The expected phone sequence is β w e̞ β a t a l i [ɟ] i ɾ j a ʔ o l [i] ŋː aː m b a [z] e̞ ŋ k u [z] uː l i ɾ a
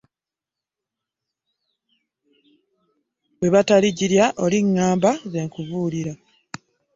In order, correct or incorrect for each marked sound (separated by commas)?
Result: correct, correct, correct, incorrect